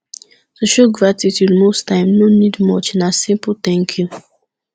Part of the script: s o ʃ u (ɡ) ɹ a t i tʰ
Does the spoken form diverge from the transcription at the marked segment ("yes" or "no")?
no